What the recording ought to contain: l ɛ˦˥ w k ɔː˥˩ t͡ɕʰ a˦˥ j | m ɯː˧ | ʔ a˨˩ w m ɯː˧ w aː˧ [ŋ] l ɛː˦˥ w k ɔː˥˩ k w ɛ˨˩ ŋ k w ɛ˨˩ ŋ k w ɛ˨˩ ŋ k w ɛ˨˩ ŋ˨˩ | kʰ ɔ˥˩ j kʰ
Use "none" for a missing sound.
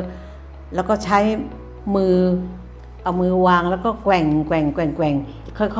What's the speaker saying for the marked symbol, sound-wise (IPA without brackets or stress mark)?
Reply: ŋ